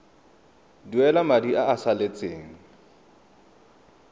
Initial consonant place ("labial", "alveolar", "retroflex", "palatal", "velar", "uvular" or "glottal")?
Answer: alveolar